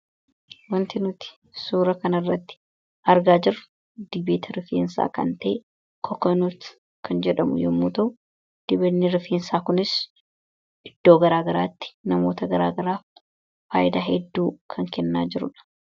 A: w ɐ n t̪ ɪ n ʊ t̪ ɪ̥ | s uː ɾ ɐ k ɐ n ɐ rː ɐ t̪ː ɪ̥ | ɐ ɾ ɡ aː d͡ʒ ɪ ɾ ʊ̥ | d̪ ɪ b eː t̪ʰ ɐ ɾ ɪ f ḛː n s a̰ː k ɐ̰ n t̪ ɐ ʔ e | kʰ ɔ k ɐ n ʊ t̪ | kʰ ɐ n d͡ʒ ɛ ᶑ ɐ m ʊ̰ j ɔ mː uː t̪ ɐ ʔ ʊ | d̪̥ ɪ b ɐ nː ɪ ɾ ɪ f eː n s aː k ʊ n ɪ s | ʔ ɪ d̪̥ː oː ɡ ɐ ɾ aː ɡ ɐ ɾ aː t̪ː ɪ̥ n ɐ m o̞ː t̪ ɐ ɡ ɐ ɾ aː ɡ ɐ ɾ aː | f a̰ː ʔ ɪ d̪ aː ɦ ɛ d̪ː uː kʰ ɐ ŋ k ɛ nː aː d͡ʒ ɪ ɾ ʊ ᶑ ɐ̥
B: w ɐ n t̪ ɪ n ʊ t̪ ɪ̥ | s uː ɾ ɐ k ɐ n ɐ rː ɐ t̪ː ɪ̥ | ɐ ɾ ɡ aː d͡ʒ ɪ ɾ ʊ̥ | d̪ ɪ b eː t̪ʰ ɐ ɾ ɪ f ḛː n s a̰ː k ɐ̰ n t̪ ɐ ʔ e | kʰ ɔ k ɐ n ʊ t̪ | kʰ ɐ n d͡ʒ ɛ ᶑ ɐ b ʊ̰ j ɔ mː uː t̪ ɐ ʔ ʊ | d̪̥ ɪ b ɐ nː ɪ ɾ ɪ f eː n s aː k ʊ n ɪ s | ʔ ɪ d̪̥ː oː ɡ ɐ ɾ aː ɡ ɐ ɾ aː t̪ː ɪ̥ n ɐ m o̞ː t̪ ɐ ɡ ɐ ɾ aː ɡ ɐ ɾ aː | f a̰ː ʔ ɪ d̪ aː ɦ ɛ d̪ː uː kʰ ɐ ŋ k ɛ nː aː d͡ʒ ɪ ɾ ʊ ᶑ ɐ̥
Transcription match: A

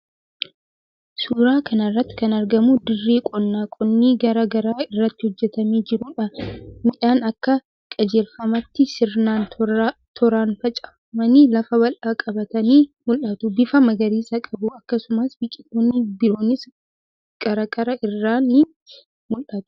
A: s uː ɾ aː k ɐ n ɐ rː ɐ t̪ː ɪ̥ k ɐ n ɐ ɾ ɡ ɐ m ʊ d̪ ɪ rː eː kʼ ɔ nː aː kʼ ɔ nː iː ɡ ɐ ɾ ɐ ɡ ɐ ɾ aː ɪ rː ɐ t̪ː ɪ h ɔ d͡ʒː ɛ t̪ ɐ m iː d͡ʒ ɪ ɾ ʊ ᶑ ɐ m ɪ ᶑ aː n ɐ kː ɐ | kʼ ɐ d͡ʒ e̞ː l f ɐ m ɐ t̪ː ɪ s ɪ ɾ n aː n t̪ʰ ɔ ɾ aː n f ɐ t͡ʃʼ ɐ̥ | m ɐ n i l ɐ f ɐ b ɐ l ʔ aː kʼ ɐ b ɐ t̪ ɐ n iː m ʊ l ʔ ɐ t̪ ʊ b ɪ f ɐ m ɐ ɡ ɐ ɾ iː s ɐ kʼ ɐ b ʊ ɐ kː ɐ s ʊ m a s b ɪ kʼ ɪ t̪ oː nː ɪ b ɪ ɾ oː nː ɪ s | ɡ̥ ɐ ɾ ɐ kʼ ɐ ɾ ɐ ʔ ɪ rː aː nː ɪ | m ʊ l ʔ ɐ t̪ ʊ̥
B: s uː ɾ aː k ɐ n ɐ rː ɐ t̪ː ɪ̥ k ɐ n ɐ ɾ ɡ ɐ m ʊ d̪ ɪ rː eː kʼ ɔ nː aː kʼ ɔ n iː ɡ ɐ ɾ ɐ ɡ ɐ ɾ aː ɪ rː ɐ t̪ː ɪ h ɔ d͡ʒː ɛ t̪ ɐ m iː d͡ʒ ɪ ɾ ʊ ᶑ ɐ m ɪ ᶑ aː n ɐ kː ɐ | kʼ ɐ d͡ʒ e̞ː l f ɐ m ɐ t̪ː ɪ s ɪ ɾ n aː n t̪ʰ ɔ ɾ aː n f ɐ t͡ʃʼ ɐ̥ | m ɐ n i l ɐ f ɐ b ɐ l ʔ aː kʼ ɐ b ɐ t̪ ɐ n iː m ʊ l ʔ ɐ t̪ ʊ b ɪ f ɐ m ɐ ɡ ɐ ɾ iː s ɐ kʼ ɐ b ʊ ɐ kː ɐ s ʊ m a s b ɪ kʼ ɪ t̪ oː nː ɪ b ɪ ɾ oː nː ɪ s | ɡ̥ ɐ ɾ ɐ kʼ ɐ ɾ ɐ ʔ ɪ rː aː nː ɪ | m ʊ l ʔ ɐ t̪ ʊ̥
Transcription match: A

